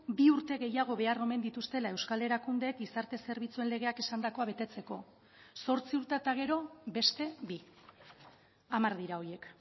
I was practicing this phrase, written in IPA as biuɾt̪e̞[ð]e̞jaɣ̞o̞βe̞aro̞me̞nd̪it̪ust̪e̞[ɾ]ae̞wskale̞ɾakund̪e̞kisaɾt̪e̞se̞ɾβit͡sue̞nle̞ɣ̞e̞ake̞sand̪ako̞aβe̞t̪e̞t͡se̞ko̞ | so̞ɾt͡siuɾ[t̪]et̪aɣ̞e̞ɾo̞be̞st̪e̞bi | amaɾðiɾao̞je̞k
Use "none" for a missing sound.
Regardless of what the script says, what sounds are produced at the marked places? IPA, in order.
ɣ, l, t̪

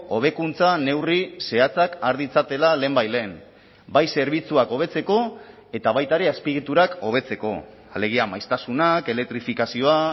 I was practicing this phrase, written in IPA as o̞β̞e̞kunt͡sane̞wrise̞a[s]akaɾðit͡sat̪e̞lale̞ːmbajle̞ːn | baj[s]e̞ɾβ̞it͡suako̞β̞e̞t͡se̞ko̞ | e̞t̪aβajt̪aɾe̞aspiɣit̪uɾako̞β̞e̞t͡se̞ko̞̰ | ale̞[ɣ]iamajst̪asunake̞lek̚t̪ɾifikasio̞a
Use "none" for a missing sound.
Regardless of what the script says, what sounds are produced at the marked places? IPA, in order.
t͡s, s, ɣ

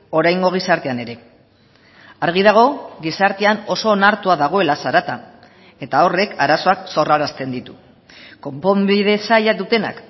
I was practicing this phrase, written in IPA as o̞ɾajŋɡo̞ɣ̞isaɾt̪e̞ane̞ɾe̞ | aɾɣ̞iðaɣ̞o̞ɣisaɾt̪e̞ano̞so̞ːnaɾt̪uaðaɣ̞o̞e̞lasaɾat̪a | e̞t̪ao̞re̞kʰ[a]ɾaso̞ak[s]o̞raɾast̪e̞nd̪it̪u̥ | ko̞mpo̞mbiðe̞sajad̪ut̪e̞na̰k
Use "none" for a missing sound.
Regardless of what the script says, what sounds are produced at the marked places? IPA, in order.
a, s

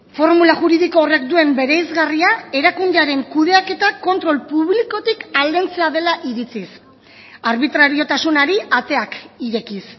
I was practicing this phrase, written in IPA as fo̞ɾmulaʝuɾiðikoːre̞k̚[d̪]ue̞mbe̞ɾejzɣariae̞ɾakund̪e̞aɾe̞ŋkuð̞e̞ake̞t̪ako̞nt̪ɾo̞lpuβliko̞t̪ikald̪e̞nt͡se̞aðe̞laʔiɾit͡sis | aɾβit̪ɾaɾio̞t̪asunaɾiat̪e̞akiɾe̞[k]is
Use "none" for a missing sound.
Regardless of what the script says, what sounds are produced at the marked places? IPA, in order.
d̪, k

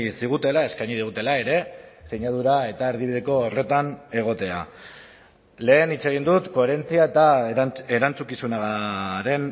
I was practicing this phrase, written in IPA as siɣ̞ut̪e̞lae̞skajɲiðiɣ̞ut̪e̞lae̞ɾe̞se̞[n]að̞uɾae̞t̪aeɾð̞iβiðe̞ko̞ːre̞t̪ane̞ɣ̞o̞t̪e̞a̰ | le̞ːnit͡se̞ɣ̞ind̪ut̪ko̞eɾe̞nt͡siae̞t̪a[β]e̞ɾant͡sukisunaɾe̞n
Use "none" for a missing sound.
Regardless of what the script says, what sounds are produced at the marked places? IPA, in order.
ɲ, none

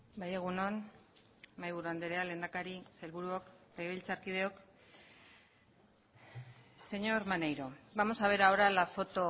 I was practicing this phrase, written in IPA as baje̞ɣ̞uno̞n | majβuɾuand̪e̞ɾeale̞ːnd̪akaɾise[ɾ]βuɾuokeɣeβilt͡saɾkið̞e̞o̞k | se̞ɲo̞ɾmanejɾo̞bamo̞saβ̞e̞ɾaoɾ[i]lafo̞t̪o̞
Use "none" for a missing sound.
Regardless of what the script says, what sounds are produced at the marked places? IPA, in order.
l, a

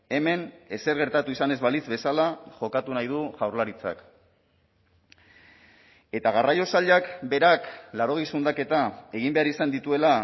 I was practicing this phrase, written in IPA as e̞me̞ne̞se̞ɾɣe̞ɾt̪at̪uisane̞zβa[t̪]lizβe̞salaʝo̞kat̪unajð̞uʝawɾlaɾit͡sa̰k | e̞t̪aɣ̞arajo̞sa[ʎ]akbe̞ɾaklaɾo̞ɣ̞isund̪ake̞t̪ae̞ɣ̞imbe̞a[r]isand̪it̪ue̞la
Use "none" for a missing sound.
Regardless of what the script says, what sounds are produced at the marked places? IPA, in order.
none, ʎ, ɾ

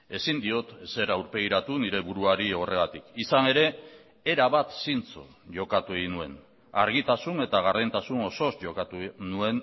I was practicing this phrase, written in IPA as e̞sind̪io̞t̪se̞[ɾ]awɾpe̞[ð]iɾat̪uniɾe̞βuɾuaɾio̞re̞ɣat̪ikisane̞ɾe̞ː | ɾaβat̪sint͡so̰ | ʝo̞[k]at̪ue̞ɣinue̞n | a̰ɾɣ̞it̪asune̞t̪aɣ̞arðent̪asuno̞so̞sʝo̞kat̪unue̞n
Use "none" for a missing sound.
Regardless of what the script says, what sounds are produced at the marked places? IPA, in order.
ɾ, ɣ, k

